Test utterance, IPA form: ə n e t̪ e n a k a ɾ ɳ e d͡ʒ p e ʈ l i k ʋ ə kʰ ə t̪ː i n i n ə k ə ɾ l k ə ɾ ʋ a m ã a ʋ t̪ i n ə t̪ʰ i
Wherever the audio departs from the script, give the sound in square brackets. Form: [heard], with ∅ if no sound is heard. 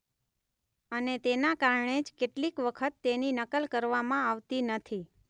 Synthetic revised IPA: ə n e t̪ e n a k a ɾ ɳ e d͡ʒ [k] e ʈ l i k ʋ ə kʰ ə t̪ː [e] n i n ə k ə [∅] l k ə ɾ ʋ a m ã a ʋ t̪ i n ə t̪ʰ i